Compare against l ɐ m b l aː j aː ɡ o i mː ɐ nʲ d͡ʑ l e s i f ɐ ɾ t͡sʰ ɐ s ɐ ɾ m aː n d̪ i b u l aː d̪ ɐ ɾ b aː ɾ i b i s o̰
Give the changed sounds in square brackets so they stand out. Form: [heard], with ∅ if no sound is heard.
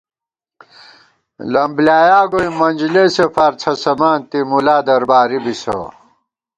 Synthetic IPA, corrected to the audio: l ɐ m b l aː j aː ɡ o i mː ɐ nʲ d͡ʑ l e s [e] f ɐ ɾ t͡sʰ ɐ s ɐ [∅] m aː n [t̪] i [m] u l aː d̪ ɐ ɾ b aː ɾ i b i s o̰